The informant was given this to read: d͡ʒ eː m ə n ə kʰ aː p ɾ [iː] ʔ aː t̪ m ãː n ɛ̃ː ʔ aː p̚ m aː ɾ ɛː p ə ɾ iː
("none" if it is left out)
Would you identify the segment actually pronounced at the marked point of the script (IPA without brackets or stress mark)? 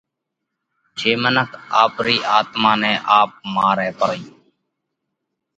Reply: iː